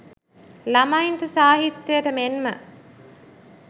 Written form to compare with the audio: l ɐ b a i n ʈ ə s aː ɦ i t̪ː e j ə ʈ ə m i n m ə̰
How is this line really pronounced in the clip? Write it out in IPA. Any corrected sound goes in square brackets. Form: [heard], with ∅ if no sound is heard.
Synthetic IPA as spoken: l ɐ [m] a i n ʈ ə s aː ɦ i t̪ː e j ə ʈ ə m [e] n m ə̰